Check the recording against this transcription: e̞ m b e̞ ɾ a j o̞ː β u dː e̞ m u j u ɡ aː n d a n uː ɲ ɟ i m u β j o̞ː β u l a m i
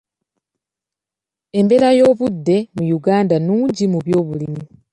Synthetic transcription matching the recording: e̞ m b e̞ ɾ a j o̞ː β u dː e̞ m u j u ɡ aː n d a n uː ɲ ɟ i m u β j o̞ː β u l i m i